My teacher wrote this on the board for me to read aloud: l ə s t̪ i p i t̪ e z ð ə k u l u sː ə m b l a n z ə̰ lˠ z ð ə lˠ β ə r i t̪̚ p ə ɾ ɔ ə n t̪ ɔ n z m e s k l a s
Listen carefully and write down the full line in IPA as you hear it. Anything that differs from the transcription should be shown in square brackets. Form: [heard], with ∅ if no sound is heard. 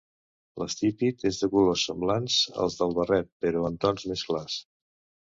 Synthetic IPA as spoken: l ə s t̪ i p i t̪ e z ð ə k u l [o] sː ə m b l a n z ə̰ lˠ z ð ə lˠ β ə r [ɛ] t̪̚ p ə ɾ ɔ ə n t̪ ɔ n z m e s k l a s